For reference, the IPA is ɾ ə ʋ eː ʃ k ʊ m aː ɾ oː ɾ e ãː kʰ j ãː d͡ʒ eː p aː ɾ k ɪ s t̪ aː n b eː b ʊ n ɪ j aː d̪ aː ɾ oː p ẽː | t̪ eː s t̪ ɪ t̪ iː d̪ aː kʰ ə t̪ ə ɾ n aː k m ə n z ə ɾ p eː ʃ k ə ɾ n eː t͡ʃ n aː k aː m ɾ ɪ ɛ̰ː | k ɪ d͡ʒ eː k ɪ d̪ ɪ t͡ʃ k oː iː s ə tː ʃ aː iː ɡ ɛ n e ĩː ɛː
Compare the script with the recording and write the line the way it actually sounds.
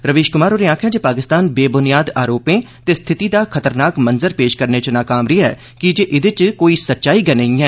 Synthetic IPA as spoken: ɾ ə ʋ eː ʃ k ʊ m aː ɾ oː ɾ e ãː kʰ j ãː d͡ʒ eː p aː k ɪ s t̪ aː n b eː b ʊ n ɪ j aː d̪ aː ɾ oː p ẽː | t̪ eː s t̪ʰ ɪ t̪ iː d̪ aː kʰ ə t̪ ə ɾ n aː k m ə n z ə ɾ p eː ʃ k ə ɾ n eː t͡ʃ n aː k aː m ɾ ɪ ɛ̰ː | k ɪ d͡ʒ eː ʔ ɪ d̪ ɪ t͡ʃ k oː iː s ə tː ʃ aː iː ɡ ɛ n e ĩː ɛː